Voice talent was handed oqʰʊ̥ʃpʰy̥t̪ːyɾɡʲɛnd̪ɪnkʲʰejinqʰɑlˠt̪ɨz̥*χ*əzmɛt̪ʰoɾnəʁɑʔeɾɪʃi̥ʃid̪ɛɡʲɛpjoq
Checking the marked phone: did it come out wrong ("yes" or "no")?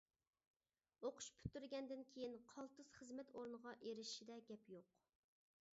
no